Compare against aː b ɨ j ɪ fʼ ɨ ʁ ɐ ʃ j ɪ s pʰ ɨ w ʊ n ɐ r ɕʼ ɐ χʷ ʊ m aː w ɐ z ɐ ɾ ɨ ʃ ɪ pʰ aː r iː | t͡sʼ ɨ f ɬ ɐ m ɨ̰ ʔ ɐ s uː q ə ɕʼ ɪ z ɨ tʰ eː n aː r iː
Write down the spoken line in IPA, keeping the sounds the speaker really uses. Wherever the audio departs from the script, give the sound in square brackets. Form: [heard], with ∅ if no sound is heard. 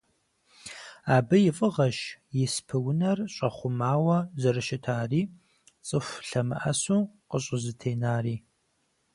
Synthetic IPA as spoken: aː b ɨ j ɪ fʼ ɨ ʁ ɐ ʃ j ɪ s pʰ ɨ w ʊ n ɐ r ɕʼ ɐ χʷ ʊ m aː w ɐ z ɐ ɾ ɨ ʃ ɪ [tʰ] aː r iː | t͡sʼ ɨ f ɬ ɐ m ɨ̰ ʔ ɐ s uː q ə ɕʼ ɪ z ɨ tʰ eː n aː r iː